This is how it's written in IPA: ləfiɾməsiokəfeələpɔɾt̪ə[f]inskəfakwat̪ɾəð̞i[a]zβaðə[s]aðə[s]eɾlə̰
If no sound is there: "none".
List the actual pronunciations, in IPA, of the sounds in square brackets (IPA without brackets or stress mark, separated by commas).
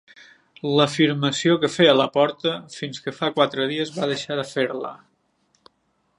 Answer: f, ə, ʃ, f